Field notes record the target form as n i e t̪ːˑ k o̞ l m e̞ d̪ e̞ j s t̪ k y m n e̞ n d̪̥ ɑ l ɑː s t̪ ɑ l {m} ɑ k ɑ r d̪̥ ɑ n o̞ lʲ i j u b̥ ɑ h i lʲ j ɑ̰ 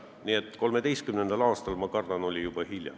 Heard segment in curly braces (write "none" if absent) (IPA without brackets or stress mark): m